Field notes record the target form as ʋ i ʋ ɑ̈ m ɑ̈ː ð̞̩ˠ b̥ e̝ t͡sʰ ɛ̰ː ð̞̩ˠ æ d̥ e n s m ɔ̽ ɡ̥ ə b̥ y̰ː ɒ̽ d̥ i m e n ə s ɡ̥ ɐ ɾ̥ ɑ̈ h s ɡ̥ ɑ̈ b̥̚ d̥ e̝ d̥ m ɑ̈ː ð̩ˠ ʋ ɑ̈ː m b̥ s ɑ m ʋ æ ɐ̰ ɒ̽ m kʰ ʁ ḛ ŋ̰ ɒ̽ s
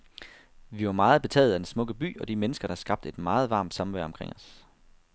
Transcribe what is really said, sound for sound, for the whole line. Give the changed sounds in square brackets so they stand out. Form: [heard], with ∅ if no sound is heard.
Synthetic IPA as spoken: ʋ i ʋ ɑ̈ m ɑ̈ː ð̞̩ˠ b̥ e̝ t͡sʰ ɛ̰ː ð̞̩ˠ æ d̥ e n s m ɔ̽ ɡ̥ ə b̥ y̰ː ɒ̽ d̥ i m e n ə s ɡ̥ ɐ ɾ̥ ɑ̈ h s ɡ̥ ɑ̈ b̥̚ d̥ e̝ d̥ m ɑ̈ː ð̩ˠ ʋ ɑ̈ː m [d̥] s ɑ m ʋ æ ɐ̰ ɒ̽ m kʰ ʁ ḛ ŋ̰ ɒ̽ s